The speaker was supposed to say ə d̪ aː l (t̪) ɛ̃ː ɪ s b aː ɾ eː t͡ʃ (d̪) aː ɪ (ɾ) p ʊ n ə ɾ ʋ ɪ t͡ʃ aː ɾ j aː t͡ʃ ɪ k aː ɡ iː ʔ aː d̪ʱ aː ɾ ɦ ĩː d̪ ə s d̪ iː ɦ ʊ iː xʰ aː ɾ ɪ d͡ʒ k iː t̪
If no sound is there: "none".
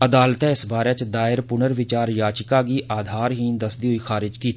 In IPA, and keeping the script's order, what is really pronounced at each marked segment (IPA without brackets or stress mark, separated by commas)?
t̪, d̪, ɾ